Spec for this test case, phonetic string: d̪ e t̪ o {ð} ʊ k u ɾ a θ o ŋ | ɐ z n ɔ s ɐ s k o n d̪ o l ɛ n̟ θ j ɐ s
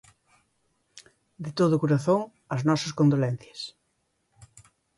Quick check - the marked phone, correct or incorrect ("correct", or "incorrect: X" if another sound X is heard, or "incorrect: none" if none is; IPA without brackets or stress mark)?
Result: correct